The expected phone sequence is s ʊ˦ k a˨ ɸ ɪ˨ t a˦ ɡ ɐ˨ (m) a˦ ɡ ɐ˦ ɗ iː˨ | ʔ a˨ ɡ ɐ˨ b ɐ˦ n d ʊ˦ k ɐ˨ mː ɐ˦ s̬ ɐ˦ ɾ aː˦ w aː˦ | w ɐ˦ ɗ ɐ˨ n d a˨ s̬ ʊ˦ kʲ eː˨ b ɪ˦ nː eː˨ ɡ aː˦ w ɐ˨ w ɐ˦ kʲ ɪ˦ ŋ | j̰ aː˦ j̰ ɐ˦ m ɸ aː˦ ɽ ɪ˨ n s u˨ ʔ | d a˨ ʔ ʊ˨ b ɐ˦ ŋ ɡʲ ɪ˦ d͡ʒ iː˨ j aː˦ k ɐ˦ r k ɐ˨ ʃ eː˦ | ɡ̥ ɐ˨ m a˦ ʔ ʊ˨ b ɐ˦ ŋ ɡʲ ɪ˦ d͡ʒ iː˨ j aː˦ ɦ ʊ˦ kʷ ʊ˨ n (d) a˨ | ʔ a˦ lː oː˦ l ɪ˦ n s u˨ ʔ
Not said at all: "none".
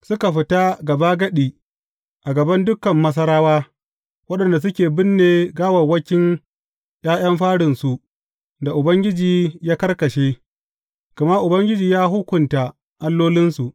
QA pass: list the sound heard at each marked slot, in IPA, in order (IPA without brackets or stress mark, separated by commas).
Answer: b, t